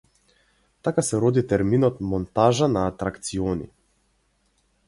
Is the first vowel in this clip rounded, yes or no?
no